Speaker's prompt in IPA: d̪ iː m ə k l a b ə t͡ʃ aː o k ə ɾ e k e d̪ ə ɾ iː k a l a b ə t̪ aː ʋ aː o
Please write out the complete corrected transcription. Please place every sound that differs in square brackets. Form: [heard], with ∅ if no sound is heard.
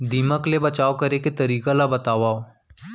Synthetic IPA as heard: d̪ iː m ə k l [e] b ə t͡ʃ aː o k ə ɾ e k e [t̪] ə ɾ iː k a l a b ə t̪ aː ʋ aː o